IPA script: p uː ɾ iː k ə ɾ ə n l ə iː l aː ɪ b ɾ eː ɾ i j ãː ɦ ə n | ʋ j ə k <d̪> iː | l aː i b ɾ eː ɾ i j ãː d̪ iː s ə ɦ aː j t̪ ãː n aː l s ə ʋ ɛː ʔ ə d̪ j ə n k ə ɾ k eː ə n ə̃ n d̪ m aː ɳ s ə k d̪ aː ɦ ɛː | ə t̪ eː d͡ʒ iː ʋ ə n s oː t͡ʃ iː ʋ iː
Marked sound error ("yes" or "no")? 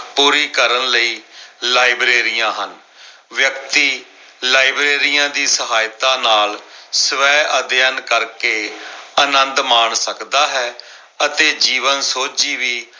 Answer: yes